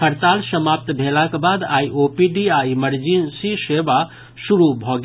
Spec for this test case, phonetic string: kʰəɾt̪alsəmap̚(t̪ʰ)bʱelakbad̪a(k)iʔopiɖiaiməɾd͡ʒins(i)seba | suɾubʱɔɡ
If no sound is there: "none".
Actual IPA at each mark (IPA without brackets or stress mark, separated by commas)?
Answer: t̪, none, i